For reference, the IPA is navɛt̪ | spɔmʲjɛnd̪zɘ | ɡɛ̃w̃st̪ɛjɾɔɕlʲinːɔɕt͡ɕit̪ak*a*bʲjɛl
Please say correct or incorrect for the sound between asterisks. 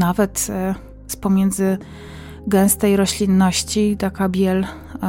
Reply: correct